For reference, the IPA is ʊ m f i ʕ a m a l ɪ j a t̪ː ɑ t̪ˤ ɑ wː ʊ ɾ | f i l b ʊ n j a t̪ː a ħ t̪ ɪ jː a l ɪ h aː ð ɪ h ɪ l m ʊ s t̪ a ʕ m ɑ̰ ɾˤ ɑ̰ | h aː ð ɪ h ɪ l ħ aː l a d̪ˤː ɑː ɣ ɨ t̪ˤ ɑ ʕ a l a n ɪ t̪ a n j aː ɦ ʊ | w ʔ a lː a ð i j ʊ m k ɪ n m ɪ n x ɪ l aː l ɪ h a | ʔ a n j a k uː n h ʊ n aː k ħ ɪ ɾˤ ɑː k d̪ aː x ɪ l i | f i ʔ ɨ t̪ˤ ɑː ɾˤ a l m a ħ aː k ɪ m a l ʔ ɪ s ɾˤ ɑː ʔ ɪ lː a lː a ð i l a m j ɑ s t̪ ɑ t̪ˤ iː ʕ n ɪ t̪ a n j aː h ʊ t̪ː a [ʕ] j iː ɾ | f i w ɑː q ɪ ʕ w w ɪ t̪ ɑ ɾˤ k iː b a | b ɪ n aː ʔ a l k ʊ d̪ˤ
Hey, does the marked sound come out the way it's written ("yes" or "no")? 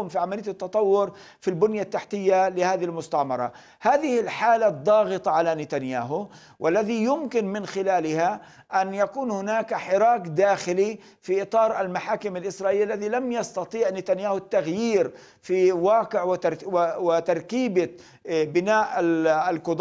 no